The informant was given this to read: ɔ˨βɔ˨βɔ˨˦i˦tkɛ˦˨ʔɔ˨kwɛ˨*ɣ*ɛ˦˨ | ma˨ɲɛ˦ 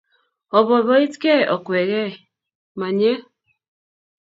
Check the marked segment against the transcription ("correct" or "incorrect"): correct